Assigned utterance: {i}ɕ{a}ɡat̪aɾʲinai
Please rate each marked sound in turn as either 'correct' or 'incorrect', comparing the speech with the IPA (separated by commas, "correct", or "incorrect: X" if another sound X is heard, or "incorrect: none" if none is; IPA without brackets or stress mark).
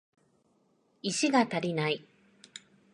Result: correct, incorrect: i